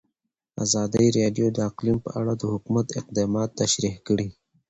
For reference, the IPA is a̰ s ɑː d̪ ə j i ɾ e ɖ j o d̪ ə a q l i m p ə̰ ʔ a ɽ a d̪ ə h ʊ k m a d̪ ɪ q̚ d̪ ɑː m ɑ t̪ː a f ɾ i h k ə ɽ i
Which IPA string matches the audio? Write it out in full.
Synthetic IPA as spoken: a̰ z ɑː d̪ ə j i ɾ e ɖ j o d̪ ə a q l i m p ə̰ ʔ a ɽ a d̪ ə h ʊ k m a t̪ ɪ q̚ d̪ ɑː m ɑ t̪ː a ʃ ɾ i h k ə ɽ i